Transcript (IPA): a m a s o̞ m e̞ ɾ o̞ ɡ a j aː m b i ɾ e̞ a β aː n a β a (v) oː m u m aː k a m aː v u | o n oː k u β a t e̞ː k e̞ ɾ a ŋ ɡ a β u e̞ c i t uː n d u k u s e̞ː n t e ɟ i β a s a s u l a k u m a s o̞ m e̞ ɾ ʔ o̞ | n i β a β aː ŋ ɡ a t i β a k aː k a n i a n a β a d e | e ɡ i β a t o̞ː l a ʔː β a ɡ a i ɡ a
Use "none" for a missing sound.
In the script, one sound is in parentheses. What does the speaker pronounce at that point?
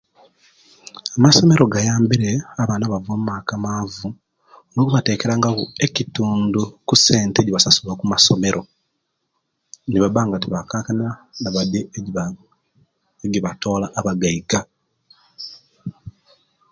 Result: v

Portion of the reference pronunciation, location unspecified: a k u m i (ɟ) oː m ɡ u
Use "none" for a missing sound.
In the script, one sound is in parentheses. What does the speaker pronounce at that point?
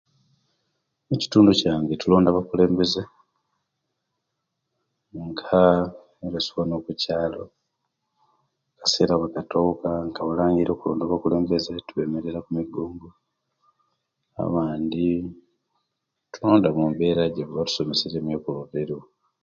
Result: ɡ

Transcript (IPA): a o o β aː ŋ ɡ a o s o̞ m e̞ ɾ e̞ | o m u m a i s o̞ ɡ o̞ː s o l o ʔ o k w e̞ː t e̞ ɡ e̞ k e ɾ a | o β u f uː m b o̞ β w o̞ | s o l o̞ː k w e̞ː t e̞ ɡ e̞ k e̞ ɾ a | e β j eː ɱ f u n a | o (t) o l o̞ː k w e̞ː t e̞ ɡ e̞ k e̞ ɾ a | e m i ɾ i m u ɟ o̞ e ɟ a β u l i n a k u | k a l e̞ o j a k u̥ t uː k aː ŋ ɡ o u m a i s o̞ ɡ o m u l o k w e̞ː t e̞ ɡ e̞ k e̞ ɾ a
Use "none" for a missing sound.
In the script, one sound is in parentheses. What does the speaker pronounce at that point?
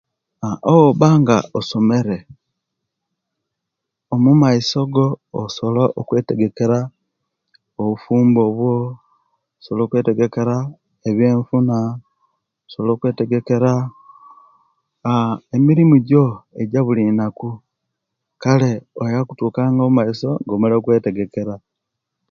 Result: s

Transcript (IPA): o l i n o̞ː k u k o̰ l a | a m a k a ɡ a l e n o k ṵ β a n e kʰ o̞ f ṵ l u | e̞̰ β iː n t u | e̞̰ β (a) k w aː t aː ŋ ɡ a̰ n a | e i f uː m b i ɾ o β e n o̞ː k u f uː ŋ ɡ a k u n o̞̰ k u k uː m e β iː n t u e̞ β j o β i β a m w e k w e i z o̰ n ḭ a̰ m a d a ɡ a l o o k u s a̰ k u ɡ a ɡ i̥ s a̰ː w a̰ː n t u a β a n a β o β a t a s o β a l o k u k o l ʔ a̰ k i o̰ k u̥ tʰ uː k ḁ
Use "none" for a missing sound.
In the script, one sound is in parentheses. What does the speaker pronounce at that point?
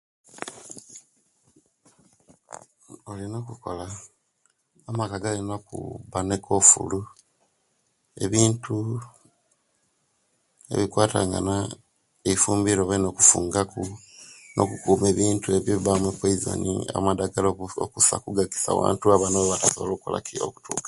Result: i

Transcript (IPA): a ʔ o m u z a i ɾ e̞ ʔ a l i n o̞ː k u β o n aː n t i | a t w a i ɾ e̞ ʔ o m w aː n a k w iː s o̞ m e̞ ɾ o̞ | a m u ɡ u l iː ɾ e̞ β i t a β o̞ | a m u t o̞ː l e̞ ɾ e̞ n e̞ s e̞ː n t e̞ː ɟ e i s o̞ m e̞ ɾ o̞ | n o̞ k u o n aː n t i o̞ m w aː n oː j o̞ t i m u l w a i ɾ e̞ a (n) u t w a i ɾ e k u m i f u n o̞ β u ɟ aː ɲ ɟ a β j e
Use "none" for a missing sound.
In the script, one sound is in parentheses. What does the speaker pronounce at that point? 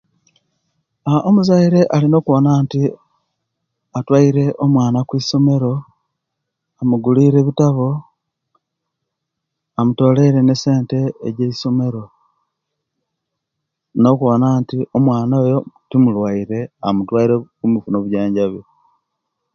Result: m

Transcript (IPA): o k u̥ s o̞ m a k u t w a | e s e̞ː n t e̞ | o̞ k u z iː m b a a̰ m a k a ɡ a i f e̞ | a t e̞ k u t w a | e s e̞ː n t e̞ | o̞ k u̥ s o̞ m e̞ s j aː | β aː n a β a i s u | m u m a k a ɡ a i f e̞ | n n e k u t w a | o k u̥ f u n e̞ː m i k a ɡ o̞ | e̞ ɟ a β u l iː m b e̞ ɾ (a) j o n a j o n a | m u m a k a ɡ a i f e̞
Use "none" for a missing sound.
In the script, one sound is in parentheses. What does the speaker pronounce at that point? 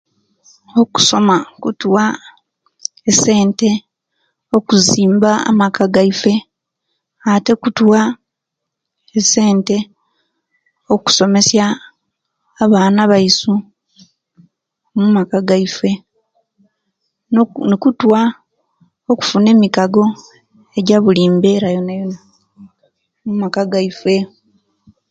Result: a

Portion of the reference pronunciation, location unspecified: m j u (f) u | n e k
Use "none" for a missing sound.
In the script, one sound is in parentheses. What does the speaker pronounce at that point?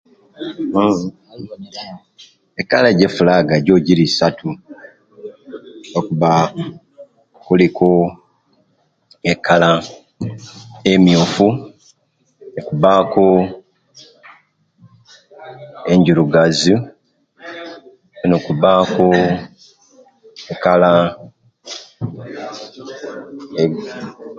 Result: f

